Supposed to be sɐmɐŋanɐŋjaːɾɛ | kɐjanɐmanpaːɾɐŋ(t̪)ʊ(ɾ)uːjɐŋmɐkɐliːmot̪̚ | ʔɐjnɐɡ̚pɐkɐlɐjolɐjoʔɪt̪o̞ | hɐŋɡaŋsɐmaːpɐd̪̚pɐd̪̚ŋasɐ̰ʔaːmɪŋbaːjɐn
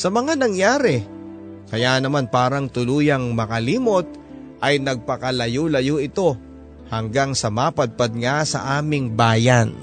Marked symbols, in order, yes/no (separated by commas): yes, no